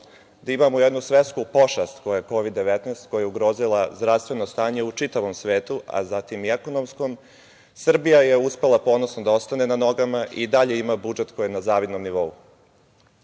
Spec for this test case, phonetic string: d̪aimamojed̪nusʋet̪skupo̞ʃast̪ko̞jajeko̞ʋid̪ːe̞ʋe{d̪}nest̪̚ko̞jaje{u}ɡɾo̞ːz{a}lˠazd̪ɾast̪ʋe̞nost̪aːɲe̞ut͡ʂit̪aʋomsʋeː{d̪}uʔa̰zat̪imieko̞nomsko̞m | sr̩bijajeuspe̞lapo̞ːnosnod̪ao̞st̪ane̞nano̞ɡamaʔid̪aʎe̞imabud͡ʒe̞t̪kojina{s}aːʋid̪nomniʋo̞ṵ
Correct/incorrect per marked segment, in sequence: incorrect: t̪, correct, incorrect: i, incorrect: t̪, incorrect: z

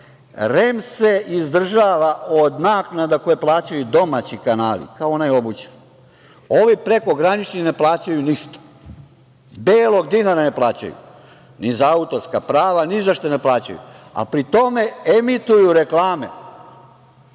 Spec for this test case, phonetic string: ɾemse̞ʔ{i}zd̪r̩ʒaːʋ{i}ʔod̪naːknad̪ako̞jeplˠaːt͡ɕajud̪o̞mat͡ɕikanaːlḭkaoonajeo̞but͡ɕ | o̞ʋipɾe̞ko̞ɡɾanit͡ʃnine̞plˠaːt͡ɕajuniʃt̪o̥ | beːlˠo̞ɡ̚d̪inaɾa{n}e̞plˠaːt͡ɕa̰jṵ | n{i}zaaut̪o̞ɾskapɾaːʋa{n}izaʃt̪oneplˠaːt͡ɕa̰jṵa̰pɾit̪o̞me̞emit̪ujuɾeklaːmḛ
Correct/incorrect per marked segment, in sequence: correct, incorrect: a, correct, correct, correct

